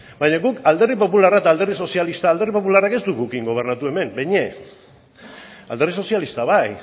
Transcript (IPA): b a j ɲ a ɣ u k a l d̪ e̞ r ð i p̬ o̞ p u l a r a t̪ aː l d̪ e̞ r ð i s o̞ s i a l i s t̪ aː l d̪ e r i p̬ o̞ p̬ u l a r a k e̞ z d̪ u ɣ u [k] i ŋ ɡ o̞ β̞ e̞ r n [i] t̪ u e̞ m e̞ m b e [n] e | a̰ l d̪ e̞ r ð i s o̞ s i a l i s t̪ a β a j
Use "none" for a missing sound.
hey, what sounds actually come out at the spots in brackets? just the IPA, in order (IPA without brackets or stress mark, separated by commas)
k, a, ɲ